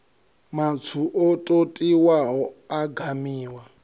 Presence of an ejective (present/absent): present